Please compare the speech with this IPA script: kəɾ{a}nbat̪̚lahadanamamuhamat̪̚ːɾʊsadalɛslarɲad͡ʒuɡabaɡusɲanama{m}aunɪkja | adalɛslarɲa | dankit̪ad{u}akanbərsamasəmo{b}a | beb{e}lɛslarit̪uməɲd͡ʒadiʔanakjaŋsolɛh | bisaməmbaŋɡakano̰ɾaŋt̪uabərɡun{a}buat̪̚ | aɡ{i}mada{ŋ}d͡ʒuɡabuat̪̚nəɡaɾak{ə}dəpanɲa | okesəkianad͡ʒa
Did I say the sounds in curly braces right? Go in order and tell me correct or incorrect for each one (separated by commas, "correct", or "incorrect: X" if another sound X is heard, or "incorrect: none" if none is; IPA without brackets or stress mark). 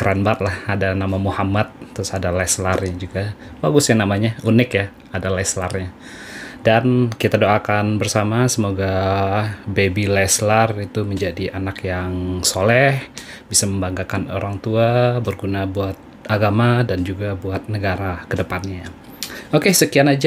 correct, incorrect: ɲ, incorrect: o, incorrect: ɡ, incorrect: i, correct, incorrect: a, incorrect: n, correct